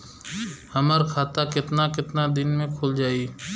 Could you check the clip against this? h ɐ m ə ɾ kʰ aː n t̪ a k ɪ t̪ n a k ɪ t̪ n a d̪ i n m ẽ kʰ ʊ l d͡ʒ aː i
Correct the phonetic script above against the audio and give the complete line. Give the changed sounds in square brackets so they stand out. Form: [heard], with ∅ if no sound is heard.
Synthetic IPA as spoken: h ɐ m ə ɾ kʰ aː [∅] t̪ a k ɪ t̪ n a k ɪ t̪ n a d̪ [ɪ] n m ẽ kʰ ʊ l d͡ʒ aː i